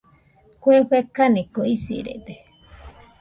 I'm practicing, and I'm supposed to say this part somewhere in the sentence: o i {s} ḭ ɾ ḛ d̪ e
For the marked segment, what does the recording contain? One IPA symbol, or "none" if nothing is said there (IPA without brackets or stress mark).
s